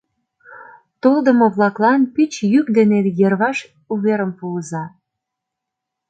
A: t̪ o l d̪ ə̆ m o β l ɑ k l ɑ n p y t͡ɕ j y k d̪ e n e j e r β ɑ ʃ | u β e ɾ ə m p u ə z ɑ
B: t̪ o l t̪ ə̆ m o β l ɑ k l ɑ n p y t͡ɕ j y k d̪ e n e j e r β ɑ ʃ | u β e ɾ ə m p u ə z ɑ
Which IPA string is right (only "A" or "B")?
A